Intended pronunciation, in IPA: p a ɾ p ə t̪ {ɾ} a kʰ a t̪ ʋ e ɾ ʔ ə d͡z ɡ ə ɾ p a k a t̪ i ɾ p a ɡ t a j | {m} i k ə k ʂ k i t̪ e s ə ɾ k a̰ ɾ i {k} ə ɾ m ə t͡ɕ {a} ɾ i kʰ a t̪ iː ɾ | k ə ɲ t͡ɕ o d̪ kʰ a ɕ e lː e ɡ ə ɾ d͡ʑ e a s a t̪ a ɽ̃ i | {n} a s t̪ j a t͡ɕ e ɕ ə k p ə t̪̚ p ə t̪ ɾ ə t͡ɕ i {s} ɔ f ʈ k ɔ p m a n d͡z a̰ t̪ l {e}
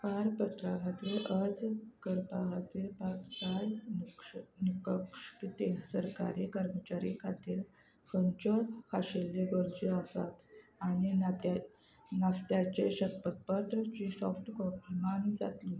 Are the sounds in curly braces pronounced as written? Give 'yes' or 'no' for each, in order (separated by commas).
yes, no, yes, yes, yes, yes, no